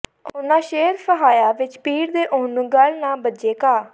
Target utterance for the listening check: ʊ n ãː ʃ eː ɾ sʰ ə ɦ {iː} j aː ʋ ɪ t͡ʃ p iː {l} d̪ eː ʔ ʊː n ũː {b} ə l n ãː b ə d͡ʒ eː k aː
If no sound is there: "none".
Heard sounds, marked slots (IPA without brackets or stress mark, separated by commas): aː, ɾ, ɡ